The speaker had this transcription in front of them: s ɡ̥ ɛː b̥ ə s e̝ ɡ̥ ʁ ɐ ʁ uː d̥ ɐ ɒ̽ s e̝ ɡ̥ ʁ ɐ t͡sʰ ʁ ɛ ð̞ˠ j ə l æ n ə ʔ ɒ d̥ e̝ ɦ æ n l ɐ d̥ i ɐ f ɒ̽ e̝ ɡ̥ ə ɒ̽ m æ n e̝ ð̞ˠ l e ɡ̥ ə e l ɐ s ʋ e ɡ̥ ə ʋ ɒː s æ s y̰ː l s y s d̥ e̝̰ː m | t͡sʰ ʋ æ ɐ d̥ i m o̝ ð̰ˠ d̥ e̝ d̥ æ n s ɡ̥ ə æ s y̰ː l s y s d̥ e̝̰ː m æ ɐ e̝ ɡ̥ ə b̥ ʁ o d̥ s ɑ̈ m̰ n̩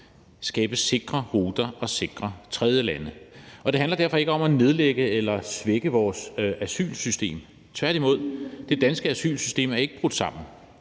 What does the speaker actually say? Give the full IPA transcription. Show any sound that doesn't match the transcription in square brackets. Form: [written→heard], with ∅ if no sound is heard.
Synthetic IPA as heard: s ɡ̥ ɛː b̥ ə s e̝ ɡ̥ ʁ ɐ ʁ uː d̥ ɐ ɒ̽ s e̝ ɡ̥ ʁ ɐ t͡sʰ ʁ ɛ ð̞ˠ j ə l æ n ə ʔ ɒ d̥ e̝ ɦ æ n l ɐ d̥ [i→æ] ɐ f ɒ̽ e̝ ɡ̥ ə ɒ̽ m æ n e̝ ð̞ˠ l e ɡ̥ ə e l ɐ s ʋ e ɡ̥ ə ʋ ɒː s æ s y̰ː l s y s d̥ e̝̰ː m | t͡sʰ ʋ æ ɐ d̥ i m o̝ ð̰ˠ d̥ e̝ d̥ æ n s ɡ̥ ə æ s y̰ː l s y s d̥ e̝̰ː m æ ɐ e̝ ɡ̥ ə b̥ ʁ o d̥ s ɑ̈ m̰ n̩

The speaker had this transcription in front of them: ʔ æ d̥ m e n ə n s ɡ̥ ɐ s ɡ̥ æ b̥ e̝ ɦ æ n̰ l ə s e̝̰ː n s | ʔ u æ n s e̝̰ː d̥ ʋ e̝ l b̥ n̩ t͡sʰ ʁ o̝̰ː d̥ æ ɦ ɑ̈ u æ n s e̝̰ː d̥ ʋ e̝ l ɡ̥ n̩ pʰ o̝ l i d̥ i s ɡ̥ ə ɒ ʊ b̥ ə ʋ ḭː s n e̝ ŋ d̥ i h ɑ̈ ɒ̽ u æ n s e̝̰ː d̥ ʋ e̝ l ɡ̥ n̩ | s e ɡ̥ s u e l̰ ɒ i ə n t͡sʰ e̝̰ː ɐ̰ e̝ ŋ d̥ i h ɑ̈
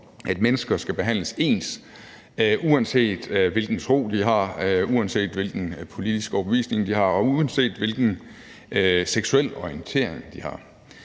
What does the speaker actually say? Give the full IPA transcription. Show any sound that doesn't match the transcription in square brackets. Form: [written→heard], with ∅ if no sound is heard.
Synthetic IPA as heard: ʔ æ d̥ m e n ə [n→∅] s ɡ̥ ɐ s ɡ̥ æ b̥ e̝ ɦ æ n̰ l ə s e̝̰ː n s | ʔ u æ n s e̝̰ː d̥ ʋ e̝ l [b̥→ɡ̥] n̩ t͡sʰ ʁ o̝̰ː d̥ [æ→i] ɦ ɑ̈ u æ n s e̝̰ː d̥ ʋ e̝ l ɡ̥ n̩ pʰ o̝ l i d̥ i s ɡ̥ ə ɒ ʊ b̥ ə ʋ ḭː s n e̝ ŋ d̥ i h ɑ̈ ɒ̽ u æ n s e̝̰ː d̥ ʋ e̝ l ɡ̥ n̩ | s e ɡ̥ s u e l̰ ɒ i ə n t͡sʰ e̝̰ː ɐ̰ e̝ ŋ d̥ i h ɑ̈

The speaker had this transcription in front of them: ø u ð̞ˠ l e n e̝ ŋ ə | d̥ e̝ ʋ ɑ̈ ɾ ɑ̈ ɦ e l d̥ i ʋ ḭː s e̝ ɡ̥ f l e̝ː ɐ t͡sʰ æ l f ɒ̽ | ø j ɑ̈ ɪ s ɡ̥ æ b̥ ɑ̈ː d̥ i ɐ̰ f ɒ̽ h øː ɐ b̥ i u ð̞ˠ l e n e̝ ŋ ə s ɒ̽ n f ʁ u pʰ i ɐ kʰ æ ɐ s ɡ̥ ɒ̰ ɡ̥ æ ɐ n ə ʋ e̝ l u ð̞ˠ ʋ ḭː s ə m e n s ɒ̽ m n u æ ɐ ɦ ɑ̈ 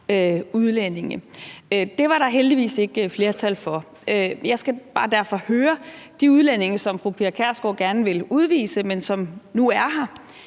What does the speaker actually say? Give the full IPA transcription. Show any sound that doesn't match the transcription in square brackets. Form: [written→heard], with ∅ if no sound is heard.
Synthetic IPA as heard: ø u ð̞ˠ l e n e̝ ŋ ə | d̥ e̝ ʋ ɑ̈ ɾ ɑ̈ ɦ e l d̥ i ʋ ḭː s e̝ ɡ̥ f l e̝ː ɐ t͡sʰ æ l f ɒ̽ | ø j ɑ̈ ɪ s ɡ̥ æ b̥ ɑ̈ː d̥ [i→æ] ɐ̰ f ɒ̽ h øː ɐ [b̥→d̥] i u ð̞ˠ l e n e̝ ŋ ə s ɒ̽ [n→m] f ʁ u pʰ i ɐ kʰ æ ɐ s ɡ̥ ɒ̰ ɡ̥ æ ɐ n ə ʋ e̝ l u ð̞ˠ ʋ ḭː s ə m e n s ɒ̽ m n u æ ɐ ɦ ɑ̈

